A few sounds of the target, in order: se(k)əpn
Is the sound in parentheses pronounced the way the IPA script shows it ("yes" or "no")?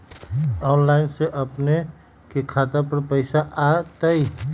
no